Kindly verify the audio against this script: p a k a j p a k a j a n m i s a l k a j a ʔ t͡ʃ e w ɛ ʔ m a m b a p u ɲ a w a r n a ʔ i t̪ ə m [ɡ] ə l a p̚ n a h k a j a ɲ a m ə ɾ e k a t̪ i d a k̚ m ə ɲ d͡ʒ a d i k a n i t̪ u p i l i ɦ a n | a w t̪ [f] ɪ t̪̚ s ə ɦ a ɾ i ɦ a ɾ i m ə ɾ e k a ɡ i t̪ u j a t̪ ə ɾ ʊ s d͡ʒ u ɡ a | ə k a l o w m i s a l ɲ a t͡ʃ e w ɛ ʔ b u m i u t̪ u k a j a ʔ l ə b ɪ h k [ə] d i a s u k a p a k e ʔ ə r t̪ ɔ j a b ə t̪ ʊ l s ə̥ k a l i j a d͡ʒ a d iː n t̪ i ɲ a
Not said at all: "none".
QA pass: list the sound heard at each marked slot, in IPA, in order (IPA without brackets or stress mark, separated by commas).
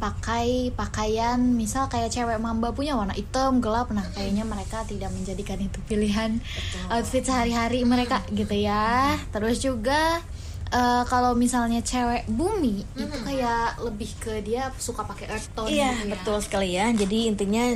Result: ɡ, f, ə